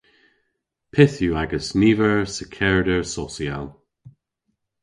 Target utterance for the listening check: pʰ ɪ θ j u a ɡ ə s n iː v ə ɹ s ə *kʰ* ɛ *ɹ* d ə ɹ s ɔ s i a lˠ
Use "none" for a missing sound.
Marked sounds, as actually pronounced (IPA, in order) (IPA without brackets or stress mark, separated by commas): kʰ, ɹ